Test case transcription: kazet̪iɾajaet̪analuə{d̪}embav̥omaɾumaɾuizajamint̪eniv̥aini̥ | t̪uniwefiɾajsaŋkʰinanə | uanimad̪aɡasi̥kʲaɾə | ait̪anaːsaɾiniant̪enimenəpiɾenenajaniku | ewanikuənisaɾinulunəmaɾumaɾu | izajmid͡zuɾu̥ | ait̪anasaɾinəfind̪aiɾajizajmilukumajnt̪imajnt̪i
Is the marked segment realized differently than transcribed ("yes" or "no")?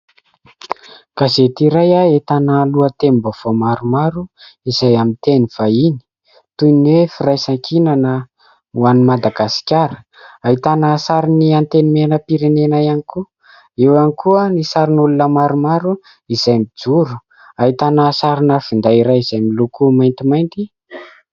yes